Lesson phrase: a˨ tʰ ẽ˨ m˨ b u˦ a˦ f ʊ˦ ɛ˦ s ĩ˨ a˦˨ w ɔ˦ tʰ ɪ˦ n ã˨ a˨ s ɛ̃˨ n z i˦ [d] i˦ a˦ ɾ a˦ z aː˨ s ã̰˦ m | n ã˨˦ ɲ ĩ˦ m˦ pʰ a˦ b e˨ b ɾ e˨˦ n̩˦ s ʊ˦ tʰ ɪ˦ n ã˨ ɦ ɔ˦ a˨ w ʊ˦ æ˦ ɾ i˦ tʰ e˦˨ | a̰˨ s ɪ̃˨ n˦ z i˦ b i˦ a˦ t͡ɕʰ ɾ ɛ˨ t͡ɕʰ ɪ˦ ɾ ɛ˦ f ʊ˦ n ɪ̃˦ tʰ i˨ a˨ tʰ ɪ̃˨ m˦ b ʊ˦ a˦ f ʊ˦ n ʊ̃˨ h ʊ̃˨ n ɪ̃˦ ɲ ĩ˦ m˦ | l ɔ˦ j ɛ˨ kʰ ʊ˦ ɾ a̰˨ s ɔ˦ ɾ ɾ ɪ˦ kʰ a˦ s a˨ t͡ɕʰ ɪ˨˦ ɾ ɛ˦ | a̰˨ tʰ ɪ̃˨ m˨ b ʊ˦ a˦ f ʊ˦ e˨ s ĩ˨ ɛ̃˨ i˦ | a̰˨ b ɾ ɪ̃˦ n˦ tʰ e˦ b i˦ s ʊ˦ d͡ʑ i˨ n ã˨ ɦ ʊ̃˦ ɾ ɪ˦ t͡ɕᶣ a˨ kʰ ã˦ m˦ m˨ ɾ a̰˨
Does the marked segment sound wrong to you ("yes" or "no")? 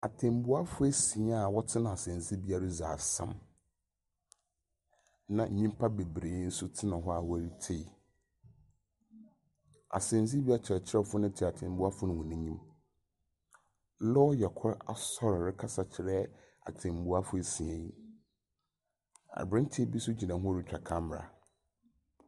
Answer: yes